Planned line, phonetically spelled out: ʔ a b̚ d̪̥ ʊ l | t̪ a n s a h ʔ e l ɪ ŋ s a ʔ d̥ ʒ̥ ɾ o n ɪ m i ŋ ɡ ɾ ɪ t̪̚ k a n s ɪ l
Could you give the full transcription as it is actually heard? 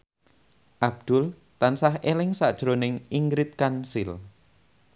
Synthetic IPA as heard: ʔ a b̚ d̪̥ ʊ l | t̪ a n s a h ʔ e l ɪ ŋ s a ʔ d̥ ʒ̥ ɾ o n ɪ ŋ i ŋ ɡ ɾ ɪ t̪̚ k a n s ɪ l